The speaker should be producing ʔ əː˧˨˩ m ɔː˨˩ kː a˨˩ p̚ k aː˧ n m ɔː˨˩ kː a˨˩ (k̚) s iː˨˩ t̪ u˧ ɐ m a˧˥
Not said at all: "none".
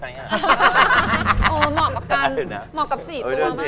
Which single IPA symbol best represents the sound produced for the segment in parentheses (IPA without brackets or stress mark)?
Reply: p̚